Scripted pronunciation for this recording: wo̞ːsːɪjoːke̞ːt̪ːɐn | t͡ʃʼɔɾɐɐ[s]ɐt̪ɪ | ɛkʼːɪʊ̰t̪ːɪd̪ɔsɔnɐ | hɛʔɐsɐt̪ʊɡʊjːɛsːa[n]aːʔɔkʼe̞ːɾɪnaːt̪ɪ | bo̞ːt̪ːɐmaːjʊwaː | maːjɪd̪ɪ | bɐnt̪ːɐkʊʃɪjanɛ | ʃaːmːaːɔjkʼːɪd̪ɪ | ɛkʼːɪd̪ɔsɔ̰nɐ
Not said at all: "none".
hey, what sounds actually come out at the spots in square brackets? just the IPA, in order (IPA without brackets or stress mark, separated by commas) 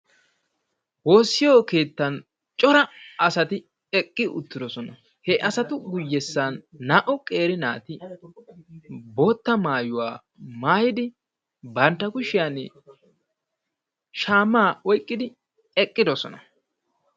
s, nː